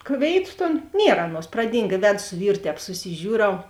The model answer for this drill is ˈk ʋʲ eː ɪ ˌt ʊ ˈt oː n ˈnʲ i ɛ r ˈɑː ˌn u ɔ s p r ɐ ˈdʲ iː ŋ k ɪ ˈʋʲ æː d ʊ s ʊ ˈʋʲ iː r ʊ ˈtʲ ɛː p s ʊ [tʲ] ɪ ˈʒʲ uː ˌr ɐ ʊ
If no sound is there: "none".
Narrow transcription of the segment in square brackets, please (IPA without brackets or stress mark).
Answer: sʲ